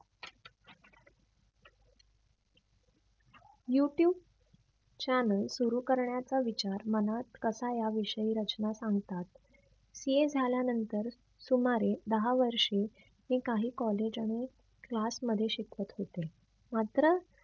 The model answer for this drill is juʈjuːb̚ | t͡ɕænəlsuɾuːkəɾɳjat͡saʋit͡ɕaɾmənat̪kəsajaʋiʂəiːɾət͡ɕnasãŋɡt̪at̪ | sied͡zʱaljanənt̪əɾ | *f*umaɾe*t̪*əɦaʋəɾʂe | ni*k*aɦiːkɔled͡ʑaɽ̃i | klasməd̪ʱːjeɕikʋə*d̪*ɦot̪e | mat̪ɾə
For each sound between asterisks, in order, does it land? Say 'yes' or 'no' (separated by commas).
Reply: no, no, yes, no